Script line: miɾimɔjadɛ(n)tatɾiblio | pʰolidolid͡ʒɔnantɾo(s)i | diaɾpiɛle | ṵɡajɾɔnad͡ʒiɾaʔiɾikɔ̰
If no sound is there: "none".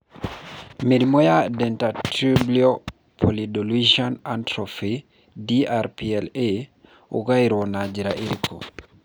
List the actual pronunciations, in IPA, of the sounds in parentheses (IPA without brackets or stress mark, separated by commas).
n, f